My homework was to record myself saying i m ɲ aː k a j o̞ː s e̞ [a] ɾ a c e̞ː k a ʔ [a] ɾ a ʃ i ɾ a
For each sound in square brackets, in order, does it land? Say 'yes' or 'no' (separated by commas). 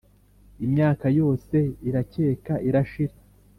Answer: no, no